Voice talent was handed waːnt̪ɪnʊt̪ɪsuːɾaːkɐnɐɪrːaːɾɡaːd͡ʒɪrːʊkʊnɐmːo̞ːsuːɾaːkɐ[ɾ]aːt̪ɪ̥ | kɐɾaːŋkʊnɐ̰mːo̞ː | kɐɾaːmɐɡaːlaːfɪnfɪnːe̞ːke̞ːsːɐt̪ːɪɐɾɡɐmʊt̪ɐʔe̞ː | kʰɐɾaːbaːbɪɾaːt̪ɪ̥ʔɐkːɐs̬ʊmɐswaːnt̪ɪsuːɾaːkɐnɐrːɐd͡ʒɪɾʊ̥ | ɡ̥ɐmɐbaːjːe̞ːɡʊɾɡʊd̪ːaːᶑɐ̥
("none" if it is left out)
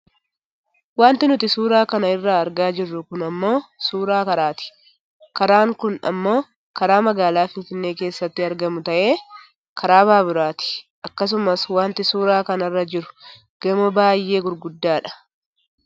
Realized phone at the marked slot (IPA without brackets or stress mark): ɾ